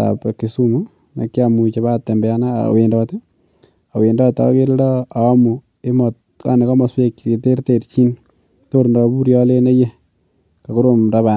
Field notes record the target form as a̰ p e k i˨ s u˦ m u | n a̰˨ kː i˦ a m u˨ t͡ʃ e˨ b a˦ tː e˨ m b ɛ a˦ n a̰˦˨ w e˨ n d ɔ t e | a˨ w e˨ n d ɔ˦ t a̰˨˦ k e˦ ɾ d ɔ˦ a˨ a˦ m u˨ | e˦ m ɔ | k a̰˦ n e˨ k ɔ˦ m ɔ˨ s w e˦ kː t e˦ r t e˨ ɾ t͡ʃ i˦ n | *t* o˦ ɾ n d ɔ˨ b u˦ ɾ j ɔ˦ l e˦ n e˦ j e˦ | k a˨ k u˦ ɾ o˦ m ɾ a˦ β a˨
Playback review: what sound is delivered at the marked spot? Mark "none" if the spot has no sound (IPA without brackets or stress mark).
t